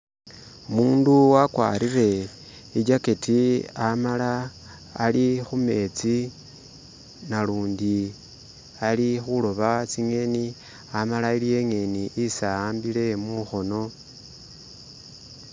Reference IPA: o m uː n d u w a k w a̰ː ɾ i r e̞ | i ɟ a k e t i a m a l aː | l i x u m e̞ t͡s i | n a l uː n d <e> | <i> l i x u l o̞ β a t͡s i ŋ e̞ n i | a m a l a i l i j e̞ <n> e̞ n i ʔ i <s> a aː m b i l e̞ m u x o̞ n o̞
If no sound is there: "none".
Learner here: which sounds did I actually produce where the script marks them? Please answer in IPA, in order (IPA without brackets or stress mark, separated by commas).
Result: i, a, ŋ, s